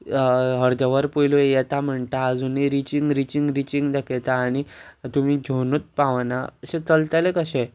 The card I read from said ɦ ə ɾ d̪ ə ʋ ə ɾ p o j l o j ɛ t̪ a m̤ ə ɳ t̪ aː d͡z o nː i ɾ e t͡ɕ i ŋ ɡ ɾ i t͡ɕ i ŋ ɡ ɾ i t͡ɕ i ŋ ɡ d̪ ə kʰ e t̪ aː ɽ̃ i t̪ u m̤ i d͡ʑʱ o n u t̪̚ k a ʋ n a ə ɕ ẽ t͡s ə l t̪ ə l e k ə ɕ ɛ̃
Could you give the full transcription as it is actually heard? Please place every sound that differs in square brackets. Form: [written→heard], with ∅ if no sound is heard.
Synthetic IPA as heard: ɦ ə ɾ d̪ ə ʋ ə ɾ p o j l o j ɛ t̪ a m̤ ə ɳ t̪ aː d͡z [o→u] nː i ɾ [e→i] t͡ɕ i ŋ ɡ ɾ i t͡ɕ i ŋ ɡ ɾ i t͡ɕ i ŋ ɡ d̪ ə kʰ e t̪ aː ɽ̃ i t̪ u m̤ i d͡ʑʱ o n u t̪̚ [k→p] a ʋ n a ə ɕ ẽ t͡s ə l t̪ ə l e k ə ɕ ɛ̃